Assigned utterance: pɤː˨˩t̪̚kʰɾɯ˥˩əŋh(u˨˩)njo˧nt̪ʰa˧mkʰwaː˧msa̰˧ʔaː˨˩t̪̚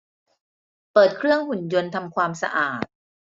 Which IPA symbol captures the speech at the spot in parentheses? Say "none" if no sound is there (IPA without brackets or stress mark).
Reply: u˨˩